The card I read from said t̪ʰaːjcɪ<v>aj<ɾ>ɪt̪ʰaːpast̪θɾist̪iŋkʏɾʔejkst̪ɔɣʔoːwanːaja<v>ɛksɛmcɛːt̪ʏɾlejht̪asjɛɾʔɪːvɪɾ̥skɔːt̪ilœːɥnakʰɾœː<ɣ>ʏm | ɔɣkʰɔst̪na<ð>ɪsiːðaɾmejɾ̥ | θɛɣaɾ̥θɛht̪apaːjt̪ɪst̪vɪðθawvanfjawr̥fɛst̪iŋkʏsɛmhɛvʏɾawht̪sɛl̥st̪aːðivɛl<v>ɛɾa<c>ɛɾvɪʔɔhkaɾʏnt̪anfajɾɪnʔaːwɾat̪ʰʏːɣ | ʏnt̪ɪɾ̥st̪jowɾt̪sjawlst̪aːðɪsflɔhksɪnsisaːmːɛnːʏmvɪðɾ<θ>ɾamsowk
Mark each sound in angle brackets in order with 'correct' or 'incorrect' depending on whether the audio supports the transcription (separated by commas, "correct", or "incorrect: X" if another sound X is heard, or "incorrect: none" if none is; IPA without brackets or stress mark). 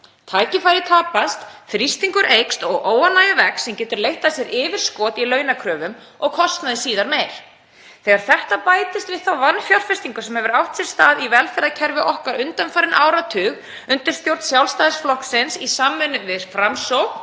incorrect: f, correct, correct, incorrect: v, correct, incorrect: f, incorrect: cʰ, incorrect: f